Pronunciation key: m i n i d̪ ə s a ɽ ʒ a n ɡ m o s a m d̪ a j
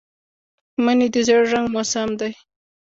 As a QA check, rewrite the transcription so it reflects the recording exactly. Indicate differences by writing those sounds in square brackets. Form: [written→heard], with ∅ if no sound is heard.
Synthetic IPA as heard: m [i→a] n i d̪ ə [s→z] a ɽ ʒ a [n→ŋ] ɡ m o s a m d̪ a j